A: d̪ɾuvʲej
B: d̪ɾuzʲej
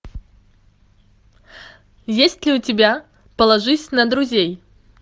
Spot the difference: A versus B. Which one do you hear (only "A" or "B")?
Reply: B